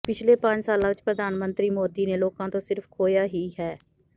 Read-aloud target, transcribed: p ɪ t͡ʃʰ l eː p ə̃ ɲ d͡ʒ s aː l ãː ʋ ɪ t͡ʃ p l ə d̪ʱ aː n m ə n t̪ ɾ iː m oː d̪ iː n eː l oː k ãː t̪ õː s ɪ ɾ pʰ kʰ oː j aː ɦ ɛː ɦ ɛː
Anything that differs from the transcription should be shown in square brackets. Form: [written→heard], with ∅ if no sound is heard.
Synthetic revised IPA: p ɪ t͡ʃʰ l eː p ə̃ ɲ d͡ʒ s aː l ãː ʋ ɪ t͡ʃ p [l→ɾ] ə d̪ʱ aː n m ə n t̪ ɾ iː m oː d̪ iː n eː l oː k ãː t̪ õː s ɪ ɾ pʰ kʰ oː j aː ɦ [ɛː→iː] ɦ ɛː